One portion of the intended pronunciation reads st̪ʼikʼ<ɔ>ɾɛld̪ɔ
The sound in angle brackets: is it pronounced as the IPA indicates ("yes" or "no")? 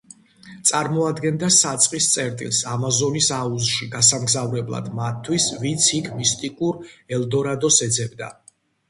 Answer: no